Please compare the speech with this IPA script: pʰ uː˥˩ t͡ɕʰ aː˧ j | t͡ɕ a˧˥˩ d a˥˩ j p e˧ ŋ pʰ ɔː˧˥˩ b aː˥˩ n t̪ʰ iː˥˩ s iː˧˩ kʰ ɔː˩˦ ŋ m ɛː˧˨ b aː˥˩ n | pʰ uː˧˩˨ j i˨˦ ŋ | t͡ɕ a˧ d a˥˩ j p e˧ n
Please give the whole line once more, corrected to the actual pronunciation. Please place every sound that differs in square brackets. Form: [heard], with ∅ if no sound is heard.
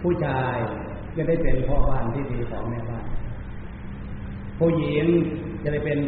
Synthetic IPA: pʰ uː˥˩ t͡ɕʰ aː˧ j | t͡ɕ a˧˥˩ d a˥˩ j p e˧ [n] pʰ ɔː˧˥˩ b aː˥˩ n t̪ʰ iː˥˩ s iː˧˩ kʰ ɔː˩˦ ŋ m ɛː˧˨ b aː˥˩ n | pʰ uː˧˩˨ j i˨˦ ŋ | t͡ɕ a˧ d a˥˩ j p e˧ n